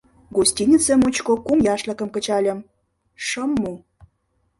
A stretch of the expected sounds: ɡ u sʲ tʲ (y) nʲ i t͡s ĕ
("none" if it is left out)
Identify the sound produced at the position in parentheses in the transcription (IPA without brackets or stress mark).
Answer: i